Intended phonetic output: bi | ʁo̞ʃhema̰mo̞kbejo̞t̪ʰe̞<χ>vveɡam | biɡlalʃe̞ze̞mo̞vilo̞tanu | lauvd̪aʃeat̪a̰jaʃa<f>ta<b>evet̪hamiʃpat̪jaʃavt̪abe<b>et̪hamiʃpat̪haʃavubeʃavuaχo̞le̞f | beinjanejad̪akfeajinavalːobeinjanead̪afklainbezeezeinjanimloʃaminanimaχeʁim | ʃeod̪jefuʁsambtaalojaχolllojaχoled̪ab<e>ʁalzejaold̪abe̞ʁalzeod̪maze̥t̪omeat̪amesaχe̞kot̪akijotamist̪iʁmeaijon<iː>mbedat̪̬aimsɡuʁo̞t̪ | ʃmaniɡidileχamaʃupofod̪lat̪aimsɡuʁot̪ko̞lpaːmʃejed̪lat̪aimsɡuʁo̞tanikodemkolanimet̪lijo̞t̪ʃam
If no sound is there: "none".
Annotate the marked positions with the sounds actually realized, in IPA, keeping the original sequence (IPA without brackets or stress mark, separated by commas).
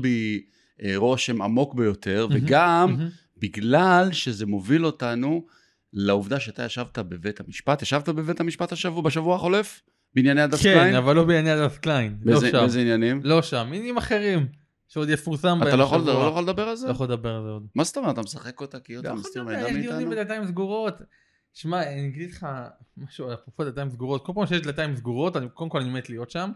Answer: ʁ, v, b, v, e, i